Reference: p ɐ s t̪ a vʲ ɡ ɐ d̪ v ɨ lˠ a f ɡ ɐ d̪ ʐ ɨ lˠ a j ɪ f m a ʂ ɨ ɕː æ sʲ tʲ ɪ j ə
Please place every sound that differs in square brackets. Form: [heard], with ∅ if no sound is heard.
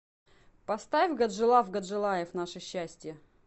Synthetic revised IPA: p ɐ s t̪ a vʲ ɡ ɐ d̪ [ʐ] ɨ lˠ a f ɡ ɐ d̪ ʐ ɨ lˠ a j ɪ f [n] a ʂ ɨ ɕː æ sʲ tʲ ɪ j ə